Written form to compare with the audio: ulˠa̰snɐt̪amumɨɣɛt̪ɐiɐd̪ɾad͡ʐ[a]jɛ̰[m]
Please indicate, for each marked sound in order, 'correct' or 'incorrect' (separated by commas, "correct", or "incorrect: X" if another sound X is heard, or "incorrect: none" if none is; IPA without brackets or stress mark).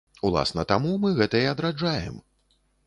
correct, correct